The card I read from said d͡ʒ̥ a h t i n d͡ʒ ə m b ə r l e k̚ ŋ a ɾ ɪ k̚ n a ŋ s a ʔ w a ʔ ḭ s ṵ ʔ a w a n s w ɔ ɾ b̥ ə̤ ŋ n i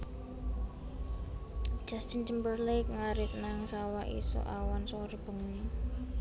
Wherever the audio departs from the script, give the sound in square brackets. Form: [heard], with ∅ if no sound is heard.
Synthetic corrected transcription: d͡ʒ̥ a [s] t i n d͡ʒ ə m b ə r l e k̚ ŋ a ɾ ɪ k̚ n a ŋ s a [∅] w a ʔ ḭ s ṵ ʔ a w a n s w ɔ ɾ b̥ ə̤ ŋ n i

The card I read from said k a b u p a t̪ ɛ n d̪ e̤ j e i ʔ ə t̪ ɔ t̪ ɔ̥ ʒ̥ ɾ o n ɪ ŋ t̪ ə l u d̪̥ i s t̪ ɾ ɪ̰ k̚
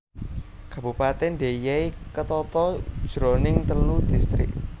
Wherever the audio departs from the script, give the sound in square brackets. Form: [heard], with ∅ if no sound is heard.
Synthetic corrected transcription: k a b u p a t̪ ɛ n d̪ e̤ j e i [k] ə t̪ ɔ t̪ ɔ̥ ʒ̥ ɾ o n ɪ ŋ t̪ ə l u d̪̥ i s t̪ ɾ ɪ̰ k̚

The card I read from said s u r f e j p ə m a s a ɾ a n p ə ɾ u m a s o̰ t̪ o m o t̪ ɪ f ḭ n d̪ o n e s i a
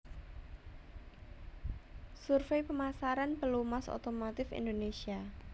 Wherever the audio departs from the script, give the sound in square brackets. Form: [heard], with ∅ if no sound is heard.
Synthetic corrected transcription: s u r f e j p ə m a s a ɾ a n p ə [l] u m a s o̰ t̪ o m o t̪ ɪ f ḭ n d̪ o n e s i a

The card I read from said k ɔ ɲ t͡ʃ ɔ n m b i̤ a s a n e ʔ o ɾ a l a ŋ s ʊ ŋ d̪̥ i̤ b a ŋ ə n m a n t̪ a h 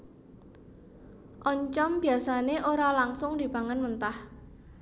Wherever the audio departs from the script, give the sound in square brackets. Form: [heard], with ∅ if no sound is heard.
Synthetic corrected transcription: [ʔ] ɔ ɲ t͡ʃ ɔ [∅] m b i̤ a s a n e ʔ o ɾ a l a ŋ s ʊ ŋ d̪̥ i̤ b a ŋ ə n m [ə] n t̪ a h

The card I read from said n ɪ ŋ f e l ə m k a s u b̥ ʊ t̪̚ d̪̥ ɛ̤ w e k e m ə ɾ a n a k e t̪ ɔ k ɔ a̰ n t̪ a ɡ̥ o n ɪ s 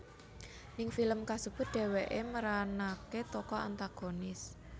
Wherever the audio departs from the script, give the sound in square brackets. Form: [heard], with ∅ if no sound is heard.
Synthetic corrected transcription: n ɪ ŋ f [i] l ə m k a s u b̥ ʊ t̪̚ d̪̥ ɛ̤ w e [ʔ] e m ə ɾ a n a k e t̪ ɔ k ɔ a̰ n t̪ a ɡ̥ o n ɪ s

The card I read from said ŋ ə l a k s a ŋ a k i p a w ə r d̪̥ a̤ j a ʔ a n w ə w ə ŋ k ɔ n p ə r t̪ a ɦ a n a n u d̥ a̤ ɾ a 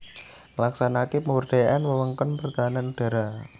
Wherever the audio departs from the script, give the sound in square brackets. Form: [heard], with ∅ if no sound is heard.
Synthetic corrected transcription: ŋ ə l a k s a [n] a k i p [ə] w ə r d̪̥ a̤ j a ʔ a n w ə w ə ŋ k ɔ n p ə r t̪ a ɦ a n a n u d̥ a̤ ɾ a

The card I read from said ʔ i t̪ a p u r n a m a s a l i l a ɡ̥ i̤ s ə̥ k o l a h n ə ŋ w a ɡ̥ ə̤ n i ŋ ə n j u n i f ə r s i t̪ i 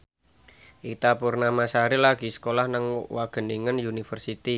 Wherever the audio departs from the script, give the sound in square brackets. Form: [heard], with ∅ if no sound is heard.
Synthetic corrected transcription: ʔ i t̪ a p u r n a m a s a [ɾ] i l a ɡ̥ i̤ s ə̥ k o l a h n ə ŋ w a ɡ̥ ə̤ n i ŋ ə n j u n i f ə r s i t̪ i

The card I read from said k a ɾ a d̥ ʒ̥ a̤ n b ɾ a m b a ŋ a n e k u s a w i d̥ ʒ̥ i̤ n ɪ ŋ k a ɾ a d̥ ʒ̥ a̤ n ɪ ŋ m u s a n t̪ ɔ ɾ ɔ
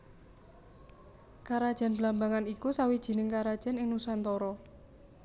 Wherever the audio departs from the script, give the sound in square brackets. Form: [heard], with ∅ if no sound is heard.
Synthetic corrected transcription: k a ɾ a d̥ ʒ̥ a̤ n b [l] a m b a ŋ a n [i] k u s a w i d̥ ʒ̥ i̤ n ɪ ŋ k a ɾ a d̥ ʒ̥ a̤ n ɪ ŋ [n] u s a n t̪ ɔ ɾ ɔ

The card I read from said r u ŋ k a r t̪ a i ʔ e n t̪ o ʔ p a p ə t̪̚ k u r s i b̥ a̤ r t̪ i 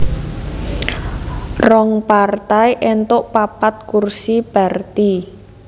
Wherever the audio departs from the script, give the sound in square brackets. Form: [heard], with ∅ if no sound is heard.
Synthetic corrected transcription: r [ɔ] ŋ [p] a r t̪ a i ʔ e n t̪ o ʔ p a p [a] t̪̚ k u r s i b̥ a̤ r t̪ i

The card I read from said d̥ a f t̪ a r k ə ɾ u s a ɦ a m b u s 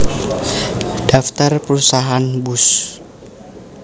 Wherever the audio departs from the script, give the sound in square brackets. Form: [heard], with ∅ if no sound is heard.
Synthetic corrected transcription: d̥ a f t̪ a r [p] ə ɾ u s a ɦ a [n] b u s

